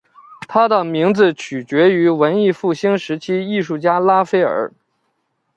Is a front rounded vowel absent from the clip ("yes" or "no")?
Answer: no